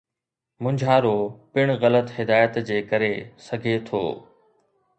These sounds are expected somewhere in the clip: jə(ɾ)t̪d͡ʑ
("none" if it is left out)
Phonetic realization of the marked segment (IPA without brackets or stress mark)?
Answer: none